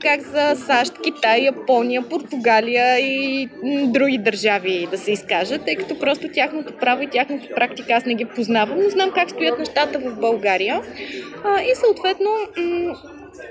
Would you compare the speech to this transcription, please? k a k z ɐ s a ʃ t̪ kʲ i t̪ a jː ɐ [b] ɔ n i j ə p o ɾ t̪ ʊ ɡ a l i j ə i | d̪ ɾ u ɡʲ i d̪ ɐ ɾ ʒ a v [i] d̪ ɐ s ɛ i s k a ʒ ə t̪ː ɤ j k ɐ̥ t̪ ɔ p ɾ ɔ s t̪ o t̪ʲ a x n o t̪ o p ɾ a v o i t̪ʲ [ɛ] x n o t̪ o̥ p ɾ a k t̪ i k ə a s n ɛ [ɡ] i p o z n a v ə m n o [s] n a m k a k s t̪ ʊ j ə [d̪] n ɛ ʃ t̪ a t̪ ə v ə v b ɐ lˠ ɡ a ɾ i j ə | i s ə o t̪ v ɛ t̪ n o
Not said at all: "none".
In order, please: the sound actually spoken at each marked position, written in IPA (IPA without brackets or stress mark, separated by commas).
p, i, a, ɡ, z, t̪